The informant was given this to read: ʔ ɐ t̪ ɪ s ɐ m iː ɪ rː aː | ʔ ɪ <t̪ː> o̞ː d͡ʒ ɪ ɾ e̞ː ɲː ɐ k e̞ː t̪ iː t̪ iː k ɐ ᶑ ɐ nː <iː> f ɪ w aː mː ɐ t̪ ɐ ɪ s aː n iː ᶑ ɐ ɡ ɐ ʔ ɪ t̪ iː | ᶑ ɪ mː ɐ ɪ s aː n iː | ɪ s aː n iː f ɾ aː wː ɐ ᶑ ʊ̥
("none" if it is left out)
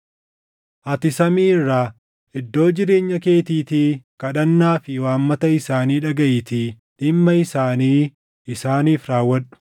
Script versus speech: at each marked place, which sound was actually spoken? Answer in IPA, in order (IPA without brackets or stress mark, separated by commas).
d̪ː, aː